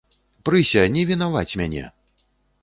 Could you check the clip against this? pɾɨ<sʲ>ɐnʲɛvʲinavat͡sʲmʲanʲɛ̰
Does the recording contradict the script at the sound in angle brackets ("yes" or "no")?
no